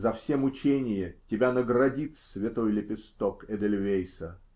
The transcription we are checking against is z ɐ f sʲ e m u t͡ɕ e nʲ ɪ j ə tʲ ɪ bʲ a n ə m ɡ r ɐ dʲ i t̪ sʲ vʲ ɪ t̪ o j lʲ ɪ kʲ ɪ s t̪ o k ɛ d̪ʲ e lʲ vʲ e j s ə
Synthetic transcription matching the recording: z ɐ f sʲ e m ʊ t͡ɕ e nʲ ɪ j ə tʲ ɪ bʲ a n ə ɡ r ɐ dʲ i t̪ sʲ vʲ ɪ t̪ o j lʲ ɪ pʲ ɪ s t̪ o k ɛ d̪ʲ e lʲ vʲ e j s ə